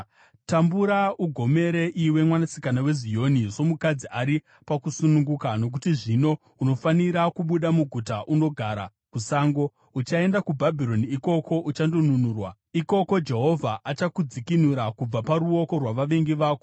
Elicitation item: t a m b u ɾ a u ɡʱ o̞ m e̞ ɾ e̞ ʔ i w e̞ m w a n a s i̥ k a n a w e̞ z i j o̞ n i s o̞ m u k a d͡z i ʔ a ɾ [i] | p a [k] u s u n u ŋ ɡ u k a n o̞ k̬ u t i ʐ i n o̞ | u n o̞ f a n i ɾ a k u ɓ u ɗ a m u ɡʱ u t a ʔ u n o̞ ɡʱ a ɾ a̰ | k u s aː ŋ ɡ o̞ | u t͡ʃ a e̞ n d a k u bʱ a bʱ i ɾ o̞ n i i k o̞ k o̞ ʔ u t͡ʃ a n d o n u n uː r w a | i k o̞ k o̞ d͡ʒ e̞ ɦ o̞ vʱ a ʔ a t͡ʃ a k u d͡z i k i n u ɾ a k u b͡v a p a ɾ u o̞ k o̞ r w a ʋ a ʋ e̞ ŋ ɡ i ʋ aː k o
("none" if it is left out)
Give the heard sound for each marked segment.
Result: i, k

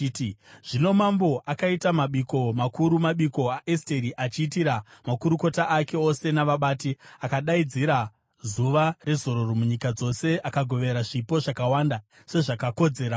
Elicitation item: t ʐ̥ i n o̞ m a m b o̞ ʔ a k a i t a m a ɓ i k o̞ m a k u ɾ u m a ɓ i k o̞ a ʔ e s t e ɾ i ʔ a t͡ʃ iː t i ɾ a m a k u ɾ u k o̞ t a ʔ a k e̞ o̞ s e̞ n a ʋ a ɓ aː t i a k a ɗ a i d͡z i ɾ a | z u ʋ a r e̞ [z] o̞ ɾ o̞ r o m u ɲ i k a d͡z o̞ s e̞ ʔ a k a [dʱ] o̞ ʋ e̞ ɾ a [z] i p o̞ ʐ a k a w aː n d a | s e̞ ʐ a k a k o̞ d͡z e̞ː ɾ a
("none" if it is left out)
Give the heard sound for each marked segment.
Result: z, ɡʱ, ʐ

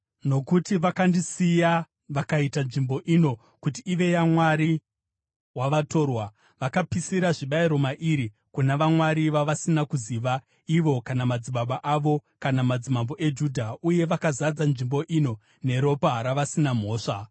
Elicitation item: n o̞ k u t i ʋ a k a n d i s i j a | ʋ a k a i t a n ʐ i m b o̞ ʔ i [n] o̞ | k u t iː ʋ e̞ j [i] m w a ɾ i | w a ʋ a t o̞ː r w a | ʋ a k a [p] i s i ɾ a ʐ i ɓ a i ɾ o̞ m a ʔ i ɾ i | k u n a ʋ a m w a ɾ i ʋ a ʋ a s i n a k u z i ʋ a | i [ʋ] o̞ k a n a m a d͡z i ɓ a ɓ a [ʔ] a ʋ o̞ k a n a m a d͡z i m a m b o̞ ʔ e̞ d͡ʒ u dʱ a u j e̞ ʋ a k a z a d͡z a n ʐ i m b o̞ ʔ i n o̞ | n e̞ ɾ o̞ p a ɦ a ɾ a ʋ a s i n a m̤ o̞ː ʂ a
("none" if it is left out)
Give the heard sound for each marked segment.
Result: n, a, p, ʋ, ʔ

